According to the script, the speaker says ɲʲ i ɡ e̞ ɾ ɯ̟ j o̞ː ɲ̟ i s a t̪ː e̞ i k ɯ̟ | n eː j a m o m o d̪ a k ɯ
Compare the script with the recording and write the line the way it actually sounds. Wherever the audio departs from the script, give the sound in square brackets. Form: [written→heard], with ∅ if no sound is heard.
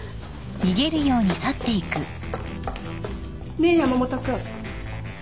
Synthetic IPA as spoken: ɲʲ i ɡ e̞ ɾ ɯ̟ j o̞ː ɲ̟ i s a t̪ː e̞ i k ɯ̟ | n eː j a m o m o [d̪→t̪] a k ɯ

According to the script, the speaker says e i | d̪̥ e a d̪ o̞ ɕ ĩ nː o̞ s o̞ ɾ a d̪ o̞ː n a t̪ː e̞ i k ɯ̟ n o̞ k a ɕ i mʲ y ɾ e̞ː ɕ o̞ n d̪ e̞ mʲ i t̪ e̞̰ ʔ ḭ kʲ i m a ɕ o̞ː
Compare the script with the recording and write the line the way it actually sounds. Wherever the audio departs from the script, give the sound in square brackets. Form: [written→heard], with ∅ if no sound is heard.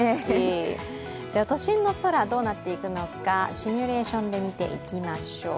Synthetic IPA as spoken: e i | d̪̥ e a [d̪→t̪] o̞ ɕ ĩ nː o̞ s o̞ ɾ a d̪ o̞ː n a t̪ː e̞ i k ɯ̟ n o̞ k a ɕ i mʲ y ɾ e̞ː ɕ [o̞→õ̞] n d̪ e̞ mʲ i t̪ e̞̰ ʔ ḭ kʲ i m a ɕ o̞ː

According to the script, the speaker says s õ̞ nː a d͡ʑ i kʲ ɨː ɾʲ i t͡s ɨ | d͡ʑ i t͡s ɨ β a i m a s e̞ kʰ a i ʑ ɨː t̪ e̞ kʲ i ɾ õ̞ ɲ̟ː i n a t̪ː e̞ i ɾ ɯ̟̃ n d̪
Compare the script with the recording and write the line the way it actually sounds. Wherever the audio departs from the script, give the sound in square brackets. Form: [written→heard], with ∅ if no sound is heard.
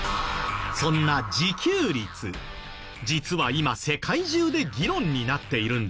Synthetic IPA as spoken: s õ̞ nː a d͡ʑ i kʲ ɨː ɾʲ i t͡s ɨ | d͡ʑ i t͡s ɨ β a i m a s e̞ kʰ a i ʑ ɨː [t̪→d̪] e̞ [kʲ→ɡʲ] i ɾ õ̞ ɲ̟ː i n a t̪ː e̞ i ɾ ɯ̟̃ n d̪

